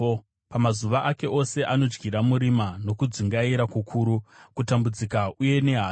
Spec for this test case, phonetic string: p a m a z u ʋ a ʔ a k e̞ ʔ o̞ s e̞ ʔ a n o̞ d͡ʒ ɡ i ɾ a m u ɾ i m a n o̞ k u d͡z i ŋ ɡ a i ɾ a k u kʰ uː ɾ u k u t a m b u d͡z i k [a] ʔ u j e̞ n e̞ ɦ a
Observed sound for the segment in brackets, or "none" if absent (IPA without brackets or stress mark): a